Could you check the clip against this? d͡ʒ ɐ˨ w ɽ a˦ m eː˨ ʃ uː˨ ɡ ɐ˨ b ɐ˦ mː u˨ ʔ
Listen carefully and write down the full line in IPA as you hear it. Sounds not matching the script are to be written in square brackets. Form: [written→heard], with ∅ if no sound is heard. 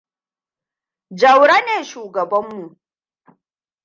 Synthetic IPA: d͡ʒ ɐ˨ w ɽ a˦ [m→n] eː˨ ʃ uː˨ ɡ ɐ˨ b ɐ˦ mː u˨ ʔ